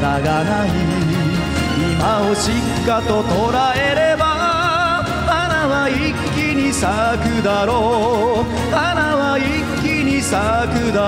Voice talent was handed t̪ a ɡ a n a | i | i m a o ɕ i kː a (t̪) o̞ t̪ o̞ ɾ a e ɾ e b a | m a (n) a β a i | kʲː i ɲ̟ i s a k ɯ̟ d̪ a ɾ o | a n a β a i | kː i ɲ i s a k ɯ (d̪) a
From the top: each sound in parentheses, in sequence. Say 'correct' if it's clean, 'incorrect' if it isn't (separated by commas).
correct, correct, correct